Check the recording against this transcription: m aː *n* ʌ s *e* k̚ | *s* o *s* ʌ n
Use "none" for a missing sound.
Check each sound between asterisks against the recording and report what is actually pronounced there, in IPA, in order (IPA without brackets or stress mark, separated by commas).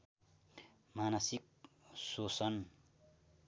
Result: n, i, s, s